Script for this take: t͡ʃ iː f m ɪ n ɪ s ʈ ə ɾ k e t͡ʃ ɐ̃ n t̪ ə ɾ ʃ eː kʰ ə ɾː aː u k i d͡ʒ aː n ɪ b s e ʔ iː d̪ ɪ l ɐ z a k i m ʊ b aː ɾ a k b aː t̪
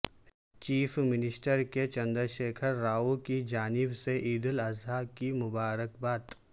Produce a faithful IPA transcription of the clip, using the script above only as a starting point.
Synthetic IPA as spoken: t͡ʃ iː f m ɪ n ɪ s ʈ ə ɾ k e t͡ʃ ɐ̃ n d̪ ə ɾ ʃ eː kʰ ə ɾː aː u k i d͡ʒ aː n ɪ b s e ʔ iː d̪ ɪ l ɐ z a k i m ʊ b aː ɾ ə k b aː t̪